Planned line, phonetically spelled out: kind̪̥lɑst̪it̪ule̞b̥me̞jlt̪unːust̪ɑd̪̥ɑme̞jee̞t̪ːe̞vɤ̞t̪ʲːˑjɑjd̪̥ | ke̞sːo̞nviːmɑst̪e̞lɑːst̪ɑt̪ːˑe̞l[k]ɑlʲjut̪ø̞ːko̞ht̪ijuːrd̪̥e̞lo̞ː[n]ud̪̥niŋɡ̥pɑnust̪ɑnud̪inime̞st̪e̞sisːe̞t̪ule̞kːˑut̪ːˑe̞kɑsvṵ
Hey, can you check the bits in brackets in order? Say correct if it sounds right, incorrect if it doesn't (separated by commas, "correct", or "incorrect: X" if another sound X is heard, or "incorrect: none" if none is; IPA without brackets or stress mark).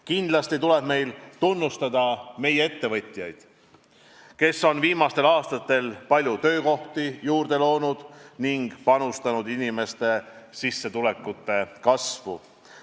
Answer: incorrect: p, correct